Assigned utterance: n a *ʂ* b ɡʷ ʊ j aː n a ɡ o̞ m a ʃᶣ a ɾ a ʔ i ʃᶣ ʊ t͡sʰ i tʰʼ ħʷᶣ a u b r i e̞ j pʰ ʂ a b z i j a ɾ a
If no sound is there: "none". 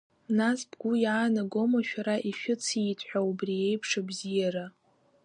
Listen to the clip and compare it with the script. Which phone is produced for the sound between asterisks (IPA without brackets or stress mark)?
s